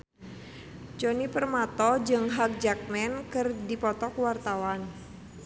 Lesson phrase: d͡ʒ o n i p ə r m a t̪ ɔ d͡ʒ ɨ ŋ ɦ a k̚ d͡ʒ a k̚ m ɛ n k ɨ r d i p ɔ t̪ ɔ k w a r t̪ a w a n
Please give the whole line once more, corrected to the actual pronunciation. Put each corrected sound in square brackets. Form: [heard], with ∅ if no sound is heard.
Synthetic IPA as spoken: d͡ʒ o n i p ə r m a t̪ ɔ d͡ʒ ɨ ŋ ɦ a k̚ d͡ʒ a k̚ m ɛ n k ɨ r d i p ɔ t̪ ɔ k w a r t̪ a w a n